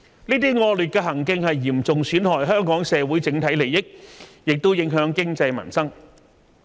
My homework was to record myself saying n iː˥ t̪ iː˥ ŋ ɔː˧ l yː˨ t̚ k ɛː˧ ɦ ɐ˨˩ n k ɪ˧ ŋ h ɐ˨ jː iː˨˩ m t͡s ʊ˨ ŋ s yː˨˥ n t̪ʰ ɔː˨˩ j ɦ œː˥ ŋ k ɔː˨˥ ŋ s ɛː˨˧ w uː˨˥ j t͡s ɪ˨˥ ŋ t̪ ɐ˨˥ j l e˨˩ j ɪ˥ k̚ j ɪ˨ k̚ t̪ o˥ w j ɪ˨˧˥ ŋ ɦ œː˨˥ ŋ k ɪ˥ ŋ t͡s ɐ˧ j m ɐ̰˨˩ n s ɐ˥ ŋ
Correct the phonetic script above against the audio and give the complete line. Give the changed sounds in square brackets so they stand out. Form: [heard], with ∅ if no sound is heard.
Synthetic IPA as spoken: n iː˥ t̪ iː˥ ŋ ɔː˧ l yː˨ t̚ k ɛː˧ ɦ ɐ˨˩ [ŋ] k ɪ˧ ŋ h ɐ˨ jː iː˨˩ m t͡s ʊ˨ ŋ s yː˨˥ n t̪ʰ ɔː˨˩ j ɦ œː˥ ŋ k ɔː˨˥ ŋ s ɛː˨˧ w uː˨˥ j t͡s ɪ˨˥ ŋ [t̪ʰ] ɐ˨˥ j l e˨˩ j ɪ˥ k̚ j ɪ˨ k̚ t̪ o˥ w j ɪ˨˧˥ ŋ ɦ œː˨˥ ŋ k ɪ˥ ŋ t͡s ɐ˧ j m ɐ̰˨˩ n s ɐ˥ ŋ